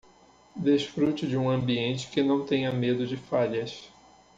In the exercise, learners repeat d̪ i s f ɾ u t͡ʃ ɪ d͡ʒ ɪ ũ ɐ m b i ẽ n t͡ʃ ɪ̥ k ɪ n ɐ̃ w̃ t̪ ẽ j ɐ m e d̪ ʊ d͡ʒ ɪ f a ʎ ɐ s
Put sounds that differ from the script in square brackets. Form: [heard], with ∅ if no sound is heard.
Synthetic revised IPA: d̪ [e] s f ɾ u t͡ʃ ɪ d͡ʒ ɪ ũ [ɐ̃] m b i ẽ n t͡ʃ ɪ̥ k ɪ n ɐ̃ w̃ t̪ ẽ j ɐ m e d̪ ʊ d͡ʒ ɪ f a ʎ ɐ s